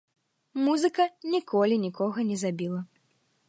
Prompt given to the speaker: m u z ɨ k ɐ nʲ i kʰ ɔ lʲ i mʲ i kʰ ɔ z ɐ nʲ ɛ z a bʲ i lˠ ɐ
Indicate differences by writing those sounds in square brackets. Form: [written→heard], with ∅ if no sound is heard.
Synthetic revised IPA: m u z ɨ k ɐ nʲ i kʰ ɔ lʲ i [mʲ→nʲ] i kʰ ɔ [z→ɣ] ɐ nʲ ɛ z a bʲ i lˠ ɐ